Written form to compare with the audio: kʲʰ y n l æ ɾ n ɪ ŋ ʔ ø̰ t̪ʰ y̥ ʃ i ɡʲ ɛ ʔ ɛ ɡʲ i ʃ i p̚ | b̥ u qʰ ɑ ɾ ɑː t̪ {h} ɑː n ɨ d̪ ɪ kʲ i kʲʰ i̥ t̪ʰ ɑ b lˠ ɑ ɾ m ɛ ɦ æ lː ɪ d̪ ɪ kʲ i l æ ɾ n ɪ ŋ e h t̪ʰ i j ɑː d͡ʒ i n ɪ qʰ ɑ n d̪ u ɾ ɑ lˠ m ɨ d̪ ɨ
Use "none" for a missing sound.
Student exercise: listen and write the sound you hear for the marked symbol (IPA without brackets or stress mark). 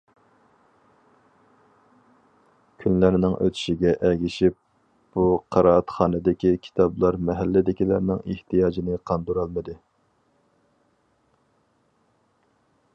χ